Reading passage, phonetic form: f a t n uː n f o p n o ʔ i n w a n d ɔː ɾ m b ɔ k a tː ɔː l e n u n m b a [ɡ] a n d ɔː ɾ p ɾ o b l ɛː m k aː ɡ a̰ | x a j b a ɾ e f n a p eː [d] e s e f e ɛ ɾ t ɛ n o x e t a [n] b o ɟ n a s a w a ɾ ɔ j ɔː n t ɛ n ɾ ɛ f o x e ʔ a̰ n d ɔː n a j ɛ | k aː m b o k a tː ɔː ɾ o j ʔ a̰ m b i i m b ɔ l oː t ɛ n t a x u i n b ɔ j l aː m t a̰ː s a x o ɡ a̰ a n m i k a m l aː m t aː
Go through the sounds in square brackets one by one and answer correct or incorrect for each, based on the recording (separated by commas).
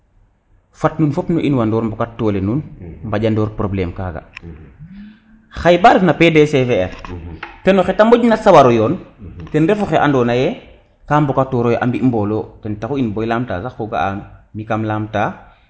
incorrect, correct, incorrect